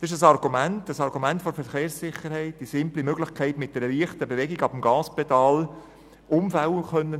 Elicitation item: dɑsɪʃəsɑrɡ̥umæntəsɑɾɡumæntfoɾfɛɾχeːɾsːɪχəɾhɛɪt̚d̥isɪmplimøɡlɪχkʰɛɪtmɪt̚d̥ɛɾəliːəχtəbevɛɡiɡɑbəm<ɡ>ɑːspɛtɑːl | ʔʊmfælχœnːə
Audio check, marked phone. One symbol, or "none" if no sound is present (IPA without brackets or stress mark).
ɡ